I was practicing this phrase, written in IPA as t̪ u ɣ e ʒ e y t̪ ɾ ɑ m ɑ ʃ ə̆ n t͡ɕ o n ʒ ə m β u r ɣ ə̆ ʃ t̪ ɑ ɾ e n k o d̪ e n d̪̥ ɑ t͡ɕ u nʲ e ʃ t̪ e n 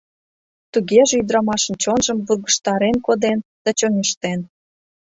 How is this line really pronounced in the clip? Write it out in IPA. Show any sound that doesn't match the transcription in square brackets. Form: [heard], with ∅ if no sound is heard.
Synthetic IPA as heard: t̪ u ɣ e ʒ e y [d̪] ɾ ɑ m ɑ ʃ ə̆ n t͡ɕ o n ʒ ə m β u r ɣ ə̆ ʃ t̪ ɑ ɾ e n k o d̪ e n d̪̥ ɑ t͡ɕ [o] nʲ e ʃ t̪ e n

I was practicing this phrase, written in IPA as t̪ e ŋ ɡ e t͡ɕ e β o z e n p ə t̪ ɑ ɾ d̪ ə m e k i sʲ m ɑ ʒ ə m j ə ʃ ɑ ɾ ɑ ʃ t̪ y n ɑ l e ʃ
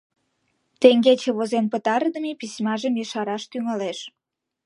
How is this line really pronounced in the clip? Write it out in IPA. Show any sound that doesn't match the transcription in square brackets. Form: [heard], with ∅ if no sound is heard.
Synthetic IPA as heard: t̪ e ŋ ɡ e t͡ɕ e β o z e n p ə t̪ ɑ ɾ d̪ ə m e [p] i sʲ m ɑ ʒ ə m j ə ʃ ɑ ɾ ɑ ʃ t̪ y [ŋ] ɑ l e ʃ

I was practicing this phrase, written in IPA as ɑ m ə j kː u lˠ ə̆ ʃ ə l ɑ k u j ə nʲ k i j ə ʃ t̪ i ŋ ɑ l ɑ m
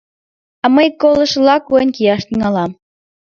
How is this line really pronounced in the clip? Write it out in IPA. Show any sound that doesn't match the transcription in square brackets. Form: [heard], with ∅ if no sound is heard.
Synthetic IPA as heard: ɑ m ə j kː [o] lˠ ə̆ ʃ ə l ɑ k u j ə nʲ k i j [ɑ] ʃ t̪ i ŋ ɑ l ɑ m

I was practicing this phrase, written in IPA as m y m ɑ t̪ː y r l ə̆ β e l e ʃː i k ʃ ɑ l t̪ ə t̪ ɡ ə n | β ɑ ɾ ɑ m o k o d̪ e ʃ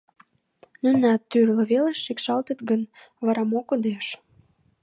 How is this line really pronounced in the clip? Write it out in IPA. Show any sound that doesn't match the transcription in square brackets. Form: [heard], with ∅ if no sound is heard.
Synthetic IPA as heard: [n] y [n] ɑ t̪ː y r l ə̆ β e l e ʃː i k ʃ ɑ l t̪ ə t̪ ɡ ə n | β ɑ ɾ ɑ m o k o d̪ e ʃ

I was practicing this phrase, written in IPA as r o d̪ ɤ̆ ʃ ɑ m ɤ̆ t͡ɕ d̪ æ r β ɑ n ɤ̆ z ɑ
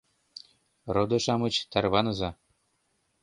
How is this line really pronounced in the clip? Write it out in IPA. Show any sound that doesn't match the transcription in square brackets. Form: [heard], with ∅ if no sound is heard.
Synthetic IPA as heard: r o d̪ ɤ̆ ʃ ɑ m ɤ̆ t͡ɕ [t̪] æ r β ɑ n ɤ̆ z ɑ

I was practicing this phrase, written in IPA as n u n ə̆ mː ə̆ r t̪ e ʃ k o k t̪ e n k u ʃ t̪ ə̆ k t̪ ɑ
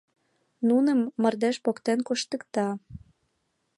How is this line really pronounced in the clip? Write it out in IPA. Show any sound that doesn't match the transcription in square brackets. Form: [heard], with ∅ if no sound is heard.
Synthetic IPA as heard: n u n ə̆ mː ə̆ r [d̪] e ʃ [p] o k t̪ e n k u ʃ t̪ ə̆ k t̪ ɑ

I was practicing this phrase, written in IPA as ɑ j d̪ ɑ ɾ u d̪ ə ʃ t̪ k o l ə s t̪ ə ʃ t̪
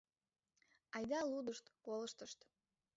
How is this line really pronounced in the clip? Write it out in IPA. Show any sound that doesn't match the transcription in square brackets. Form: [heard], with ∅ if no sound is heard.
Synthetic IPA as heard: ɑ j d̪ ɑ [l] u d̪ ə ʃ t̪ k o l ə [ʃ] t̪ ə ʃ t̪

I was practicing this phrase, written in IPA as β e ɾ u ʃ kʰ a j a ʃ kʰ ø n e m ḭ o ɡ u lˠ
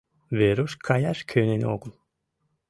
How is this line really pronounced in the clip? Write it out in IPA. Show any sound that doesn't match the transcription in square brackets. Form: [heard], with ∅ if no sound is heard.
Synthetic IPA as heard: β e ɾ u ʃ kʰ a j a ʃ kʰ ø n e [n] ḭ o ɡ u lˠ

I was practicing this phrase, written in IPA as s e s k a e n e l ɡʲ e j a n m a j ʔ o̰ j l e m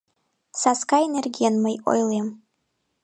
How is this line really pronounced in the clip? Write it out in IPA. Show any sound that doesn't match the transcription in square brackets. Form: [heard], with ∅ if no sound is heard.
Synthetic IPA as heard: s [a] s k a e n e [r] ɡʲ [i] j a n m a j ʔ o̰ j l e m

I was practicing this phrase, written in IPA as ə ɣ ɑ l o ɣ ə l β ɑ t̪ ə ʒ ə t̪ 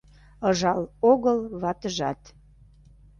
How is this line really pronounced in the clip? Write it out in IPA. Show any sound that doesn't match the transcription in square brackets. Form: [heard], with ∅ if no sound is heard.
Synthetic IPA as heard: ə [ʒ] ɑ l o ɣ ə l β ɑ t̪ ə ʒ [ɑ] t̪

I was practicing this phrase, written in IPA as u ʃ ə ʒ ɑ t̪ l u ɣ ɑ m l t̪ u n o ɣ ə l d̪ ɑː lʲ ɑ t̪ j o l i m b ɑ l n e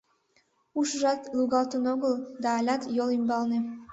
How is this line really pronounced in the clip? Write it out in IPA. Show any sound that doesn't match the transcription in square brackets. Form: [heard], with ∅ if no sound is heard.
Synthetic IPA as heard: u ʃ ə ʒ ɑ t̪ l u ɣ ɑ [∅] l t̪ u n o ɣ ə l d̪ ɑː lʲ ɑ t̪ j o l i m b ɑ l n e

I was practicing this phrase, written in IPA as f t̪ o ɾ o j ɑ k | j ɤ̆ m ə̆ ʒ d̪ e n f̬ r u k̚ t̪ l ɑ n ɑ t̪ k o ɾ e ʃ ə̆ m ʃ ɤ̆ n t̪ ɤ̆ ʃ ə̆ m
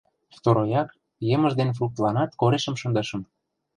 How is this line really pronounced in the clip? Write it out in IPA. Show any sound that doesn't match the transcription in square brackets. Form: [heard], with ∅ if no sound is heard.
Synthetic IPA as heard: f t̪ o ɾ o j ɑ k | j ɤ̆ m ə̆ ʒ d̪ e n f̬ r u k̚ t̪ l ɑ n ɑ t̪ k o ɾ e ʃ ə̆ m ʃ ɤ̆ n [d̪] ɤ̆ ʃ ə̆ m

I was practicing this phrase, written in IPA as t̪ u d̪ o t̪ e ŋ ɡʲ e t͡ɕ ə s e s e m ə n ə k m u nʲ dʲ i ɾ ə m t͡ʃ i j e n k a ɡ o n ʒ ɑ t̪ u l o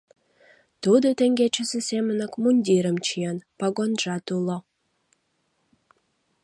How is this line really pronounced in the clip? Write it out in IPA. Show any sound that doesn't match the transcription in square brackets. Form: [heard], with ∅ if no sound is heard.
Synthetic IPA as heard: t̪ u d̪ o t̪ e ŋ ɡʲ e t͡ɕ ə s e s e m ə n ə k m u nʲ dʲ i ɾ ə m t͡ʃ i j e n [p] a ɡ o n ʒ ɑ t̪ u l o

